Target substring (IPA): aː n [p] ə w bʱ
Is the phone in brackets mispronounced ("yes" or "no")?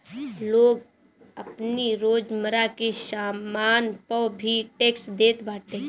no